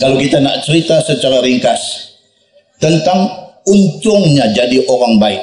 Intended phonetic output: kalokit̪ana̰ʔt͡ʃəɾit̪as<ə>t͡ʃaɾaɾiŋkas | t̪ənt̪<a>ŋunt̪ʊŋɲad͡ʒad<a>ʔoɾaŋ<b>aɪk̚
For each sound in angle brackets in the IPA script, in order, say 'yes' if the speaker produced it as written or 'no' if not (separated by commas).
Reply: yes, yes, no, yes